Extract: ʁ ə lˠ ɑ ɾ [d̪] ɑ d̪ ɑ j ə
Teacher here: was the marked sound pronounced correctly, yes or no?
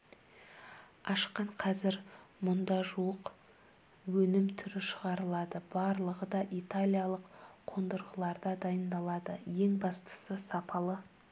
yes